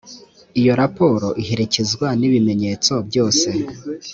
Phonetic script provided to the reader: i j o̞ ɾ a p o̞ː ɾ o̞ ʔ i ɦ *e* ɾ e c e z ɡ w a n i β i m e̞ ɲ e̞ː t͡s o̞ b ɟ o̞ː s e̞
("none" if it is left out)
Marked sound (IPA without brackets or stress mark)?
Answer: e